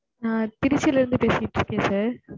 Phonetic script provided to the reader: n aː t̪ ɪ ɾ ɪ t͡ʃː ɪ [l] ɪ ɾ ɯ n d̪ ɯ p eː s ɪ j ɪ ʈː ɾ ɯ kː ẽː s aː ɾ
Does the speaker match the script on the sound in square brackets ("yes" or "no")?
yes